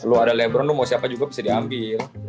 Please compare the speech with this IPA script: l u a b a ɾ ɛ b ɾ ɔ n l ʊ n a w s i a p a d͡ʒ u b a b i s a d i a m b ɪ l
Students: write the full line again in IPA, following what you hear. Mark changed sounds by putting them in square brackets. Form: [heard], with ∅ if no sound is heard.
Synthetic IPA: l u a [d] a [l] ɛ b ɾ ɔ n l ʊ [m] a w s i a p a d͡ʒ u [ɡ] a b i s a d i a m b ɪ l